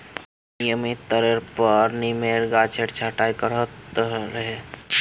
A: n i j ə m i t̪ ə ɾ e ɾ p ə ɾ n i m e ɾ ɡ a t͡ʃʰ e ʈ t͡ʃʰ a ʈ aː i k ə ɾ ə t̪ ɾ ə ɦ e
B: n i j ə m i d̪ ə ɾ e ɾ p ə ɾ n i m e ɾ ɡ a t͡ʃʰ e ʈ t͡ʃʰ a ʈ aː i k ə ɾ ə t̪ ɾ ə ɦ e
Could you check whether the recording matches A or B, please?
A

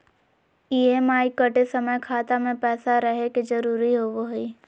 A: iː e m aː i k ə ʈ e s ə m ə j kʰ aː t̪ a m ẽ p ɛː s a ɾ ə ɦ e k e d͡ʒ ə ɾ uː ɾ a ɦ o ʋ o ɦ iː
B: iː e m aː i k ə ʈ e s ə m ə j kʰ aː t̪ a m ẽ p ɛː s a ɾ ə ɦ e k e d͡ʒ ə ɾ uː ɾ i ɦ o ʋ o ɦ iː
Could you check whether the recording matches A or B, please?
B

